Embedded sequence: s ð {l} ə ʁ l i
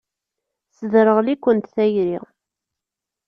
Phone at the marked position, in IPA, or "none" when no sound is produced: ɾ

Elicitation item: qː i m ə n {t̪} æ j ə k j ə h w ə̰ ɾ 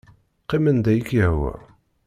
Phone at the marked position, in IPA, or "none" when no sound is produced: d̪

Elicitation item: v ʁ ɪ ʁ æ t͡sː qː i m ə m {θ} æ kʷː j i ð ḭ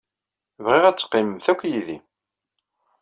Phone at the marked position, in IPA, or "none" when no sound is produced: θ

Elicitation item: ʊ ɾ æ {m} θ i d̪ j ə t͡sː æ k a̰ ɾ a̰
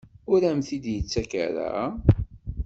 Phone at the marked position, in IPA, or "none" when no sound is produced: m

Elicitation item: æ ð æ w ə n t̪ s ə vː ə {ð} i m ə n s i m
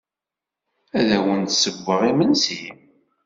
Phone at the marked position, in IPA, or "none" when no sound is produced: ʁ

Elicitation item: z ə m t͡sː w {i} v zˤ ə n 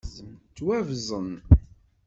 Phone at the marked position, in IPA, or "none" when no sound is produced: æ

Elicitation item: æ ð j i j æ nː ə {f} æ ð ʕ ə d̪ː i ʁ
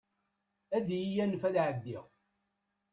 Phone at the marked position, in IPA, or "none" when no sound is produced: f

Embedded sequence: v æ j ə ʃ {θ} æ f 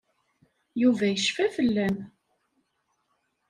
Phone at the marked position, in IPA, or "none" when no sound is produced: f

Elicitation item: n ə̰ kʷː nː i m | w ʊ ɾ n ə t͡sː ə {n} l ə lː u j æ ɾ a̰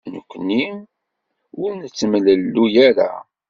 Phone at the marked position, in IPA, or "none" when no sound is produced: m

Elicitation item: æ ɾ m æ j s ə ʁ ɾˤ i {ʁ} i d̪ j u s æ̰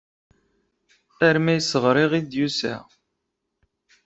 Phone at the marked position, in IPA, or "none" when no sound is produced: ʁ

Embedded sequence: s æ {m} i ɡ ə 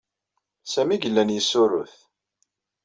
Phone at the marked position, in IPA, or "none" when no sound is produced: m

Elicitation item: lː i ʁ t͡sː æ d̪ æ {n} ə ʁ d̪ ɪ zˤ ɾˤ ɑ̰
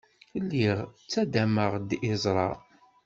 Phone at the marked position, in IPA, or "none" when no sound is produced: m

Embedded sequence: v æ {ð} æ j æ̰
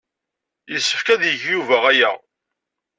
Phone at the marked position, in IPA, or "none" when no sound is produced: ʁ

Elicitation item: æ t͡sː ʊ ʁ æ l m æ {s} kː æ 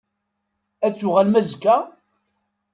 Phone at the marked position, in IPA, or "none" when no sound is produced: z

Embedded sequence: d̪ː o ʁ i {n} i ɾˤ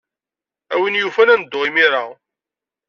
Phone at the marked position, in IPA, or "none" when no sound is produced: m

